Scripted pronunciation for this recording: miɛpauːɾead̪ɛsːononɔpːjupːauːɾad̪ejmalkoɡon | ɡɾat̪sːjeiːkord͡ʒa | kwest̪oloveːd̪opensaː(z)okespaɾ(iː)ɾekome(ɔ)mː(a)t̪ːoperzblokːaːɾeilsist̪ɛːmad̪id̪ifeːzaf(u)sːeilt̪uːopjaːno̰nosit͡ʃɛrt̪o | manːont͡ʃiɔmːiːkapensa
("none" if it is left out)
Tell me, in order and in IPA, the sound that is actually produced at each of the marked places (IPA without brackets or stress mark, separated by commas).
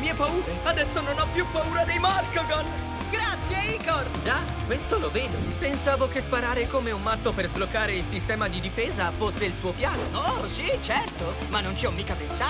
v, aː, u, a, o